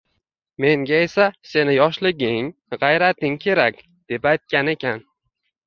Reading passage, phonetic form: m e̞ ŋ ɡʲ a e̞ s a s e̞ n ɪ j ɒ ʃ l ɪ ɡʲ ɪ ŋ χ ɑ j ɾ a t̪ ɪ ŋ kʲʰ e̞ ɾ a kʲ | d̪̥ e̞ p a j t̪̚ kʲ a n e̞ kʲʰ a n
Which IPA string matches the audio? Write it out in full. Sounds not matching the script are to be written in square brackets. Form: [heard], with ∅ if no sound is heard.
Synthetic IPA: m e̞ ŋ ɡʲ a e̞ s a s e̞ n ɪ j ɒ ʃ l ɪ ɡʲ ɪ ŋ [ʁ] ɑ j ɾ a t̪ ɪ ŋ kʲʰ e̞ ɾ a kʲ | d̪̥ e̞ p a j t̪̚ kʲ a n e̞ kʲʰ a n

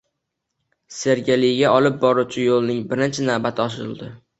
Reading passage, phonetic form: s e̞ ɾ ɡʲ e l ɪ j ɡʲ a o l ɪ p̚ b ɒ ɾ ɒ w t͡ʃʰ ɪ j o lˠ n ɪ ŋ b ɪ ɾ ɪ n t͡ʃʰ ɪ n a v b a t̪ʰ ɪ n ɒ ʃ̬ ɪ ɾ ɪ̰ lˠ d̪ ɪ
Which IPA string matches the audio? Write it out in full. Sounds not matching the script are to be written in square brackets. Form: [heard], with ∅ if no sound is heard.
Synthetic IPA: s e̞ ɾ ɡʲ e l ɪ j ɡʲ a [ɒ] l ɪ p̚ b ɒ ɾ [u] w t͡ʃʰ ɪ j o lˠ n ɪ ŋ b ɪ ɾ ɪ n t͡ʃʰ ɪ n a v b a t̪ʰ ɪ [∅] ɒ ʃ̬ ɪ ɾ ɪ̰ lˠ d̪ ɪ

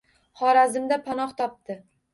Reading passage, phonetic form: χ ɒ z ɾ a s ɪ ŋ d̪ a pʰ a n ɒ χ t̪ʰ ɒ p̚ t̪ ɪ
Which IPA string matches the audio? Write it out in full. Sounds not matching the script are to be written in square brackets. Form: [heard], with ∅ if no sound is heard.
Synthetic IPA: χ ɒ [∅] ɾ a [z] ɪ [m] d̪ a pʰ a n ɒ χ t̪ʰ ɒ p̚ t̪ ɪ

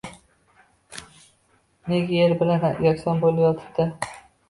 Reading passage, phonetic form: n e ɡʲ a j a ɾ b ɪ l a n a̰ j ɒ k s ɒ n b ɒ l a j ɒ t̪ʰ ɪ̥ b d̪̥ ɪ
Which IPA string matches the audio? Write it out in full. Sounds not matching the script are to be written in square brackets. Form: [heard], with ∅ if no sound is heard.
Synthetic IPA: n e ɡʲ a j [e] ɾ b ɪ l a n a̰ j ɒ k s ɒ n b [o] l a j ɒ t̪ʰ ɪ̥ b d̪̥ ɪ

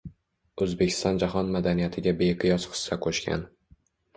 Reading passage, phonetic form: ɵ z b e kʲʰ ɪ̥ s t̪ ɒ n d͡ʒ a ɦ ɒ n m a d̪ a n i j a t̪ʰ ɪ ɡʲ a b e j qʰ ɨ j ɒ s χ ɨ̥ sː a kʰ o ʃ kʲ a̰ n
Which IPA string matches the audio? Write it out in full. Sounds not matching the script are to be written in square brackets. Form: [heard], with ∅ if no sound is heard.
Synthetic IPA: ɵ z b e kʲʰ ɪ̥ s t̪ ɒ n d͡ʒ a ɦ ɒ n m a d̪ a n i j a t̪ʰ ɪ ɡʲ a b e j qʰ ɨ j ɒ s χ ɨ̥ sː a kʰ o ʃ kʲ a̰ n

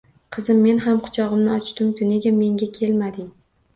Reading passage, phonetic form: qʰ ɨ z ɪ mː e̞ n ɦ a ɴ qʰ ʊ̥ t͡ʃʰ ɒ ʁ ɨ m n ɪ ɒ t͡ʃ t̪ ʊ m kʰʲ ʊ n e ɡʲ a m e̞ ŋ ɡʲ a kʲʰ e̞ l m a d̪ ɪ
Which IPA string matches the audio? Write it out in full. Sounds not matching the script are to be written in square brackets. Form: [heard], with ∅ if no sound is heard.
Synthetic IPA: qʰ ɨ z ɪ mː e̞ n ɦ a [m] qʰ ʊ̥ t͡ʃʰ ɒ ʁ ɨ m n ɪ ɒ t͡ʃ t̪ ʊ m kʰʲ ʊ n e ɡʲ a m e̞ ŋ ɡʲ a kʲʰ e̞ l m a d̪ ɪ

